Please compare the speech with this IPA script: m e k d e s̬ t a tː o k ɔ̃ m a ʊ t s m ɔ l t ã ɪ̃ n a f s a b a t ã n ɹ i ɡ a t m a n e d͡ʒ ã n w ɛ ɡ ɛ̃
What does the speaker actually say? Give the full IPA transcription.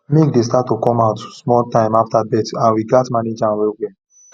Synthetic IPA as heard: m e k d e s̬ t a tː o k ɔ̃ m a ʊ t s m ɔ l t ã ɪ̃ m a f t a b ɛ t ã n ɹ i ɡ a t m a n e d͡ʒ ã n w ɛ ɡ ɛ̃